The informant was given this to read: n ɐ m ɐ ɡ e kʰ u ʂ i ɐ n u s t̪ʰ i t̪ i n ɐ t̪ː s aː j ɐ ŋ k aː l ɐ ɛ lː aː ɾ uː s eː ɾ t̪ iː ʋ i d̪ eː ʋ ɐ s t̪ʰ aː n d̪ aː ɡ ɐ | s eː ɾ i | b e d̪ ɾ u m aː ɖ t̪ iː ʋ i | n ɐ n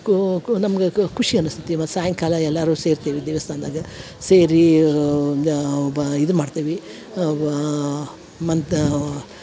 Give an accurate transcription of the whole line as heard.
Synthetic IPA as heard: n ɐ m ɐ ɡ e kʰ u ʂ i ɐ n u s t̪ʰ i t̪ i m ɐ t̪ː s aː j ɐ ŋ k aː l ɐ ɛ lː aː ɾ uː s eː ɾ t̪ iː ʋ i d̪ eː ʋ ɐ s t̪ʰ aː n d̪ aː ɡ ɐ | s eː ɾ i | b i d̪ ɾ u m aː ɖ t̪ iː ʋ i | m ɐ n